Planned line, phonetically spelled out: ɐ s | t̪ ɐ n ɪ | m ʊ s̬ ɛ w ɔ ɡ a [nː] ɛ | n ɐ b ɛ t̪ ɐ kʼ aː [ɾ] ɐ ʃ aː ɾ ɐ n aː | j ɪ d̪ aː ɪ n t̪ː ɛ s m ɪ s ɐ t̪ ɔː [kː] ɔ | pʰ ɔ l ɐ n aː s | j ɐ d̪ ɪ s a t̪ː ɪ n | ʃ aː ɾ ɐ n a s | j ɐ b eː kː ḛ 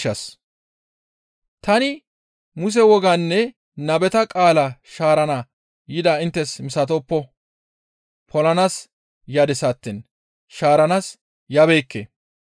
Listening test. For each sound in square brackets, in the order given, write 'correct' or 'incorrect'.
correct, incorrect, incorrect

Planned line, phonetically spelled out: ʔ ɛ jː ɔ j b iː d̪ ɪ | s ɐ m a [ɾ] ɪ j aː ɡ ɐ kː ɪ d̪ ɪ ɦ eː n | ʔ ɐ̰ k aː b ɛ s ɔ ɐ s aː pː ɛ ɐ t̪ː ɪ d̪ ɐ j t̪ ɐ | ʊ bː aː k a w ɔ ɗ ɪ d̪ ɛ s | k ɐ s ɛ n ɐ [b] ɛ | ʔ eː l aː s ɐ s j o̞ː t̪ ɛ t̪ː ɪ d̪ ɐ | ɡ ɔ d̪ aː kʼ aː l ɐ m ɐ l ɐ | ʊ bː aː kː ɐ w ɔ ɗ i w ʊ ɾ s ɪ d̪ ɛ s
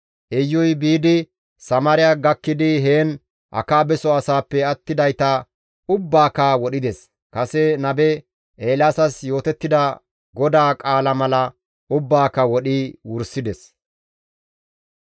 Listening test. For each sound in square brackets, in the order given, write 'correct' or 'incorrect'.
correct, correct

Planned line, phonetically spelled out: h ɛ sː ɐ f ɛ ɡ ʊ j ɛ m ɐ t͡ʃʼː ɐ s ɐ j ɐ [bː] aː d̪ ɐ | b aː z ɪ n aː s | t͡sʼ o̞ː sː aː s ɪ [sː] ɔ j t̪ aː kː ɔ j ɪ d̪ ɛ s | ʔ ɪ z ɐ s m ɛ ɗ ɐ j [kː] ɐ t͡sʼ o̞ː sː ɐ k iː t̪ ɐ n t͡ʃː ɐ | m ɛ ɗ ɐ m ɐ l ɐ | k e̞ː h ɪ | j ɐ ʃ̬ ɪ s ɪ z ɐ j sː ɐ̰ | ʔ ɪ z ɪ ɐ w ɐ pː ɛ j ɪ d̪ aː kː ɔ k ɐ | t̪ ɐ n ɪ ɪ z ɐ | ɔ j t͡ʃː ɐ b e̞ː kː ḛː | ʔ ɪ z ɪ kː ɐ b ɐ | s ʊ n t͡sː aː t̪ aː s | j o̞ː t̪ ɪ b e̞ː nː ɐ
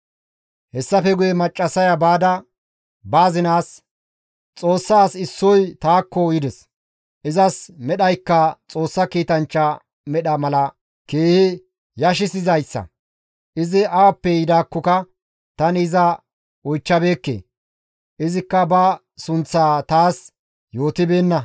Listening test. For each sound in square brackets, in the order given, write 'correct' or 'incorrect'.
incorrect, correct, correct

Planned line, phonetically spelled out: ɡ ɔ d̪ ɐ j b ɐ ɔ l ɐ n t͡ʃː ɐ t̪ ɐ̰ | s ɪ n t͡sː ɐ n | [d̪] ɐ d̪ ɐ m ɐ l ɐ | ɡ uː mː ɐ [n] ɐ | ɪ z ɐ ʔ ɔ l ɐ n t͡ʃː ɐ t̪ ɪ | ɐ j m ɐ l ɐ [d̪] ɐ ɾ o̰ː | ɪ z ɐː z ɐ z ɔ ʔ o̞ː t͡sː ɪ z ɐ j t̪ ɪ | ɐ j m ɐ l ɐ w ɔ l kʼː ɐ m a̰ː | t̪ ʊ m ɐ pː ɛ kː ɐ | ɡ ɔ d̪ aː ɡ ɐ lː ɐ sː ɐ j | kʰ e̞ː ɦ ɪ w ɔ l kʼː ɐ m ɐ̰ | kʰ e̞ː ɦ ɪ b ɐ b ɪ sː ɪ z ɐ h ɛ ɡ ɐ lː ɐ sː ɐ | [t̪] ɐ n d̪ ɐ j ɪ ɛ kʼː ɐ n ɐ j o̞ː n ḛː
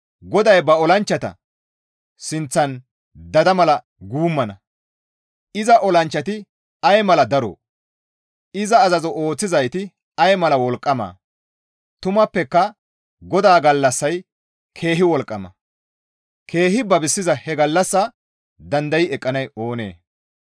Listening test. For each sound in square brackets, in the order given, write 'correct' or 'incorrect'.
correct, correct, correct, incorrect

